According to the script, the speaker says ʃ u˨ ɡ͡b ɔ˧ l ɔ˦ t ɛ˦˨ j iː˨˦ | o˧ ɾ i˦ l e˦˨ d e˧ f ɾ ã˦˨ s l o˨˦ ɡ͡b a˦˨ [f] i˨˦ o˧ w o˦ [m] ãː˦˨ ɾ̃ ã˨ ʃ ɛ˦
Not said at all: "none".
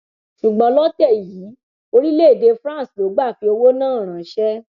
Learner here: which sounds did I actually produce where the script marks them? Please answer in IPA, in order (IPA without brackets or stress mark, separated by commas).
f, n